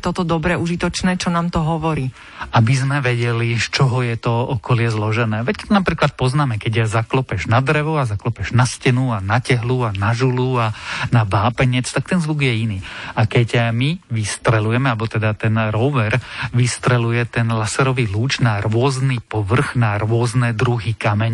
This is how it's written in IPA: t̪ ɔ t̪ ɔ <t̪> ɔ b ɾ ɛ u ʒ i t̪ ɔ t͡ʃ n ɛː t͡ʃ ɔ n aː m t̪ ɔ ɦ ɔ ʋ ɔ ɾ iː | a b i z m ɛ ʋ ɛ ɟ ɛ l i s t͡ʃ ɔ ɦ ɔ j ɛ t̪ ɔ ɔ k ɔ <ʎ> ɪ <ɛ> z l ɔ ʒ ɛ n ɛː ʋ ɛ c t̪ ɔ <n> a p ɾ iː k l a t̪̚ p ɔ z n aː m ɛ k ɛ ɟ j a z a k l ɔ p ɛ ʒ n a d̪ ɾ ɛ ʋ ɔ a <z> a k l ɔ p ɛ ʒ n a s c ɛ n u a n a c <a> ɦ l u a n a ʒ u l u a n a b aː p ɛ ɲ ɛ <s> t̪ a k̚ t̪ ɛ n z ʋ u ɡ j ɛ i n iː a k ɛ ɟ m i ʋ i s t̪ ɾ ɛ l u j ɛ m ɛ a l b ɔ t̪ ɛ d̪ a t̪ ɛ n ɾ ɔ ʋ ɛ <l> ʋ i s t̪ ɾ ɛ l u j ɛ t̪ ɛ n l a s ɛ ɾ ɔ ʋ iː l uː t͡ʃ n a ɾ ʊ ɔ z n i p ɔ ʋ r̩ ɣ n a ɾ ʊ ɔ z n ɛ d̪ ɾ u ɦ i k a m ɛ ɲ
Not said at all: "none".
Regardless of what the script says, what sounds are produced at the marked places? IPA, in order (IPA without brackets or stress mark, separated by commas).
d̪, l, ɛ, n, z, ɛ, t͡s, ɾ